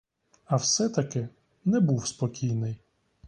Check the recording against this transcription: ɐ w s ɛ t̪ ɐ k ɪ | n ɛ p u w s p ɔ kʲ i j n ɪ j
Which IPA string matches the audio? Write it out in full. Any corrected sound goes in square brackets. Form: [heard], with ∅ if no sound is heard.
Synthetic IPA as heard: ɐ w s ɛ t̪ ɐ k ɪ | n ɛ [b] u w s p ɔ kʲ i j n ɪ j